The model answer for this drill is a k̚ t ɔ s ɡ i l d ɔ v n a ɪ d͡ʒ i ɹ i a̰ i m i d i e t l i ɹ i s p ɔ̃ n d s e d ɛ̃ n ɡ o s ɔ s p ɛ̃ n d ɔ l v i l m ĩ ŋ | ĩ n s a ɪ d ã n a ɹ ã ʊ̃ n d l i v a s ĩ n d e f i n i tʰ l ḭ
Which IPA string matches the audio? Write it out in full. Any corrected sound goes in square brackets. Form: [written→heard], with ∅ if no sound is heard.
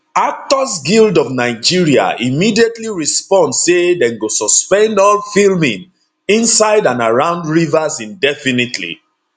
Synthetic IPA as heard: a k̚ t ɔ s ɡ i l d ɔ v n a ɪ d͡ʒ i ɹ i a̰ i m i d i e t l i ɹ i s p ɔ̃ n d s e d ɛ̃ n ɡ o s ɔ s p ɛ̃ n d ɔ l [v→f] i l m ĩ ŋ | ĩ n s a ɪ d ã n a ɹ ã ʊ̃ n d [l→ɹ] i v a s ĩ n d [e→ɛ] f i n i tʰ l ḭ